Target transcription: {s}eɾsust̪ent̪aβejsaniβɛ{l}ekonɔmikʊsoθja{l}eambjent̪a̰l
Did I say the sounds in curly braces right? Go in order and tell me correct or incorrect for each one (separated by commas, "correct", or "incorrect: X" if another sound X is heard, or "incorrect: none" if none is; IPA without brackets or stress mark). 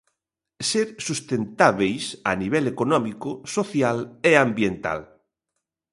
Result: correct, correct, correct